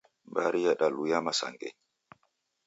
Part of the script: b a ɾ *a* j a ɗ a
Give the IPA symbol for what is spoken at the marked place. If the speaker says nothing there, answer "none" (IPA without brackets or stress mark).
i